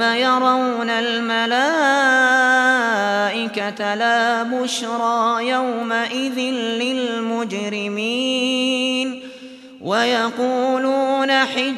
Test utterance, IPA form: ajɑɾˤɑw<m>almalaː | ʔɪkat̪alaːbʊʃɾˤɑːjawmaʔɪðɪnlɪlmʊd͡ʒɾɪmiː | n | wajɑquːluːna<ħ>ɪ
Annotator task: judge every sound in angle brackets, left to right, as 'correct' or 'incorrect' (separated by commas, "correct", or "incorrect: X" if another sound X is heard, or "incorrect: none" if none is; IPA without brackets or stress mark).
incorrect: n, correct